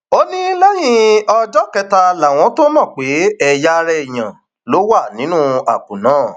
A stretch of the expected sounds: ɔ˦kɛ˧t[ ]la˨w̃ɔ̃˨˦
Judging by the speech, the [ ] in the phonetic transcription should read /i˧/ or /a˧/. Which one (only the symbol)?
a˧